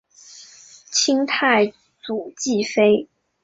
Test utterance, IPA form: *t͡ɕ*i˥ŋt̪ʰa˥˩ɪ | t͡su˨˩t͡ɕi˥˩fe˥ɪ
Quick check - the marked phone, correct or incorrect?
incorrect